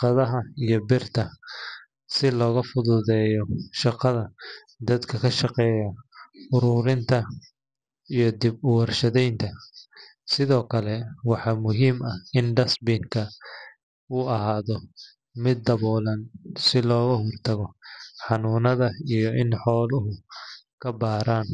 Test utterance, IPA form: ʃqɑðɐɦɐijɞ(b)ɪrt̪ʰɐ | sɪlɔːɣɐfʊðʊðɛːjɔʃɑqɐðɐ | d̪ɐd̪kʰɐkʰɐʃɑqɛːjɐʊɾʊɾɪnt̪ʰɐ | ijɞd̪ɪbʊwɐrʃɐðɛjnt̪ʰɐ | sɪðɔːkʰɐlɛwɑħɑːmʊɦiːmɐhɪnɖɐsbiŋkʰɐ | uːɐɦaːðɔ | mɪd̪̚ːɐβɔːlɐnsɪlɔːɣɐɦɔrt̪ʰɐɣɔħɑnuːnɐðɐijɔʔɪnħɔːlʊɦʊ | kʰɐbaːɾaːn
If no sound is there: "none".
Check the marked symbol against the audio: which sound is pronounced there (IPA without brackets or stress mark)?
b